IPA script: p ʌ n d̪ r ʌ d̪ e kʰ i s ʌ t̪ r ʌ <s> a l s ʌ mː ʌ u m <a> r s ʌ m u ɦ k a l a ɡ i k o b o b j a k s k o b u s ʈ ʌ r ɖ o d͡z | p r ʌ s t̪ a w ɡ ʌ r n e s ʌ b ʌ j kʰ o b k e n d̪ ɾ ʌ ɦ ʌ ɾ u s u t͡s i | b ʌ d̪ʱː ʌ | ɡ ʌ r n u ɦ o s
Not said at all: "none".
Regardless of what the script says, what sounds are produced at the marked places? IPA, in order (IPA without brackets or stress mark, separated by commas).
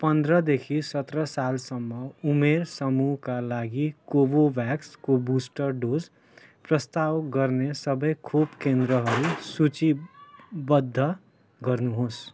s, e